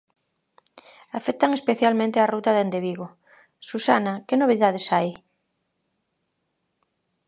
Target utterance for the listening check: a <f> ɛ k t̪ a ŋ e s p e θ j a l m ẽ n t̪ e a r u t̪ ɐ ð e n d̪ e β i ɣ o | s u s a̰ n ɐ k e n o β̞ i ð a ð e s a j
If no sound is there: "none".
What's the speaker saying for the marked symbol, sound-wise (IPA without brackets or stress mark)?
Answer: f